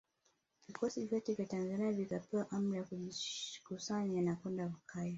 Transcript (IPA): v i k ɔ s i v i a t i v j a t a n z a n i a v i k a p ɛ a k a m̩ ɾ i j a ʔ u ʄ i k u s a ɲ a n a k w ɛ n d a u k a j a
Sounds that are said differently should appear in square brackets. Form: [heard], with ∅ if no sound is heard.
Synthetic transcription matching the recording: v i k ɔ s i v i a t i v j a t a n z a n i a v i k a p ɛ a [ʔ] a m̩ ɾ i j a [k] u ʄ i k u s a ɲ a n a k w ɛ n d a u k a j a